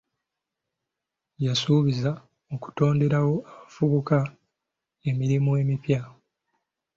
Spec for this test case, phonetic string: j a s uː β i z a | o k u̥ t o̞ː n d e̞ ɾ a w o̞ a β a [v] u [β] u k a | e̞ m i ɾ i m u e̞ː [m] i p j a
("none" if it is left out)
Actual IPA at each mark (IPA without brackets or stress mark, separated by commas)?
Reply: f, β, m